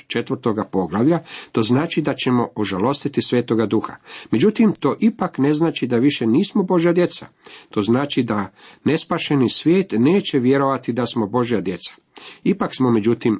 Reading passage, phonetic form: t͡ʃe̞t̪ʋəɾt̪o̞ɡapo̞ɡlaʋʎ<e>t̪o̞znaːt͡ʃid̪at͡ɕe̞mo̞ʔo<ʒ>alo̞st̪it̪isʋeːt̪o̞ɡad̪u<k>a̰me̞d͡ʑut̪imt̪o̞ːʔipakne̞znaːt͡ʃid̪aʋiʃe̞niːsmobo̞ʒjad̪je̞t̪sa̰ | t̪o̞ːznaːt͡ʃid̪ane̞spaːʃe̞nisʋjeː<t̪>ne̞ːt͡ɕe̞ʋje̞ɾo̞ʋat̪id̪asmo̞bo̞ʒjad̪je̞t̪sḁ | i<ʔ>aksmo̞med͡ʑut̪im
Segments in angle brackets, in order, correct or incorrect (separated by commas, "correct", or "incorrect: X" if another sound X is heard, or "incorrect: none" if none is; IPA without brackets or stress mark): incorrect: a, correct, incorrect: x, correct, incorrect: p